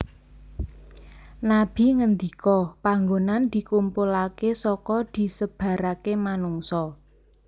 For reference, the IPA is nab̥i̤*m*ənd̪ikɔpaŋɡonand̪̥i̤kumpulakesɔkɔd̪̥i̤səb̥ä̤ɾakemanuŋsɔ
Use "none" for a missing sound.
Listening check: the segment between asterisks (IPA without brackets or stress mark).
ŋ